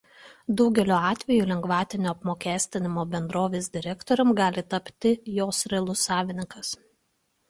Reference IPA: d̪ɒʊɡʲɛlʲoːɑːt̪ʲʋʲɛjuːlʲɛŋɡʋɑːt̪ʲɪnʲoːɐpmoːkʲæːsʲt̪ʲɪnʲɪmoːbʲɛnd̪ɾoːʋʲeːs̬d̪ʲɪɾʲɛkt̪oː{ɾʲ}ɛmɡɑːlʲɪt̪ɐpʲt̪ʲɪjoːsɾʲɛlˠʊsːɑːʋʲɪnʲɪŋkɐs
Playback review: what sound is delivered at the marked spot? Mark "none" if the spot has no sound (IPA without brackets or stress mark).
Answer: ɾʲ